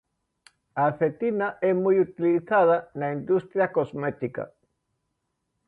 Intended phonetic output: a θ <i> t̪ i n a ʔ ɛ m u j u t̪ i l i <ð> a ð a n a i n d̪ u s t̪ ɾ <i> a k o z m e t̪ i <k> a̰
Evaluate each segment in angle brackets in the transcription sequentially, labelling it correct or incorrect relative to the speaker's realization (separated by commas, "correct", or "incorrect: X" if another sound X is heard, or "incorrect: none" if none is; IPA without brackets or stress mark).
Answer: incorrect: e, incorrect: θ, incorrect: j, correct